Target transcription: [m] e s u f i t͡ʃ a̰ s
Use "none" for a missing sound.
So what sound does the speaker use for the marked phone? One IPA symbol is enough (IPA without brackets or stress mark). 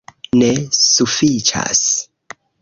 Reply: n